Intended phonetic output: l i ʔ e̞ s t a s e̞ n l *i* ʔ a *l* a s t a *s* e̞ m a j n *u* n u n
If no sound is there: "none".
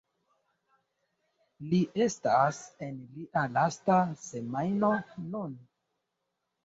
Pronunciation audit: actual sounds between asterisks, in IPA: i, l, s, o

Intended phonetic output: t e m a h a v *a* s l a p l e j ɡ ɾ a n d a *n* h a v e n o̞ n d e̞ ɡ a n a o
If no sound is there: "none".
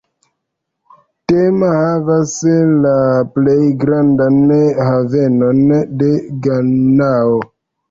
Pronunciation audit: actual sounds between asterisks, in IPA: a, n

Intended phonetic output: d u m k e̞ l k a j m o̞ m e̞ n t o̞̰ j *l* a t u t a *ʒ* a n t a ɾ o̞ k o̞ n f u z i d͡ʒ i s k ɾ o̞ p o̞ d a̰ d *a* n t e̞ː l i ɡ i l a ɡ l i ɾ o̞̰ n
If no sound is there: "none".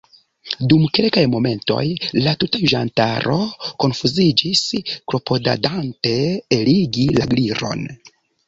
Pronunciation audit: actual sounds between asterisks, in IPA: l, ʒ, a

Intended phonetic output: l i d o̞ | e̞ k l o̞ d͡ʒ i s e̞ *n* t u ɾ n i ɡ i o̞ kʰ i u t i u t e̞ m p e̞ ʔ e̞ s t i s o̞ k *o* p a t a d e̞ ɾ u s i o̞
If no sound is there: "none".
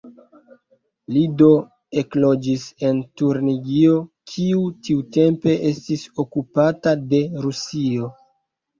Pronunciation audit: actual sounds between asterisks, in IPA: n, u

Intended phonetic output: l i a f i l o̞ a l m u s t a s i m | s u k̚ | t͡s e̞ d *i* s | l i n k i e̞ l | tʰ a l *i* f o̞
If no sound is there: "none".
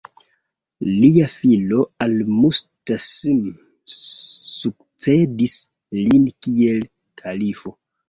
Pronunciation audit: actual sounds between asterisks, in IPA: i, i

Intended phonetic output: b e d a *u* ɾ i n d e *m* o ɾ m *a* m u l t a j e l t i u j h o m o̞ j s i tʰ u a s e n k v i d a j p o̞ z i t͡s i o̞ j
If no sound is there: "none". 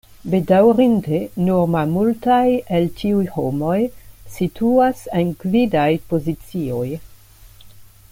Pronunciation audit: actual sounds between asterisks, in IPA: w, n, a

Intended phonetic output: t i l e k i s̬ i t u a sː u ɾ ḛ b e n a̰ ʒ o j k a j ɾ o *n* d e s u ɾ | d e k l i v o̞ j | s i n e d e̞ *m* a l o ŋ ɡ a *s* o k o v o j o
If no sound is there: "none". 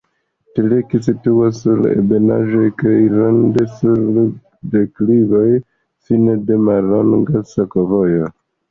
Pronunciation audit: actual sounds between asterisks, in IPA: n, m, s

